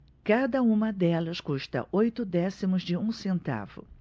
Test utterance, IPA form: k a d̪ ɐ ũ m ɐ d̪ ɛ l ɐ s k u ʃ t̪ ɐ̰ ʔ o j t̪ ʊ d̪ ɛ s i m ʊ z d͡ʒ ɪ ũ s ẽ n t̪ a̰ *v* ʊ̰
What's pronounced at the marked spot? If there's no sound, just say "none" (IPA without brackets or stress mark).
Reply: v